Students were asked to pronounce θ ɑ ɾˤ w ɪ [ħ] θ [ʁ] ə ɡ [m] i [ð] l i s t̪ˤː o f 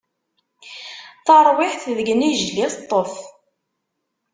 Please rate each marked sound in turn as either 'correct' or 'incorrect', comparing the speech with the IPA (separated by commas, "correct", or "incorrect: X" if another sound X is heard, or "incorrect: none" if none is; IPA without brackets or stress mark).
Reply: correct, incorrect: ð, incorrect: n, incorrect: ʒ